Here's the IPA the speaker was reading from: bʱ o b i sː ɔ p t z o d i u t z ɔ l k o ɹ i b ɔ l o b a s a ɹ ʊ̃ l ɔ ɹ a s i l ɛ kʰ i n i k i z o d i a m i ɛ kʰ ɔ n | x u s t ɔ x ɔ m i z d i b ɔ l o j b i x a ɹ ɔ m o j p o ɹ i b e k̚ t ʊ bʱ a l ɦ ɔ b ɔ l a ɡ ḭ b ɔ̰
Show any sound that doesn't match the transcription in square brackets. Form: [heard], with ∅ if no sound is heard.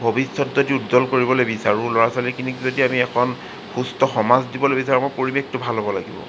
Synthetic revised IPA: bʱ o b i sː ɔ [∅] t z o d i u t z ɔ l k o ɹ i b ɔ l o b [i] s a ɹ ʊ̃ l ɔ ɹ a s [a] l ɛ [k] i n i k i z o d i a m i ɛ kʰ ɔ n | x u s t ɔ x ɔ m [a] z d i b ɔ l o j b i [s] a ɹ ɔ m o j p o ɹ i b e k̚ t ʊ bʱ a l ɦ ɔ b ɔ l a ɡ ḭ b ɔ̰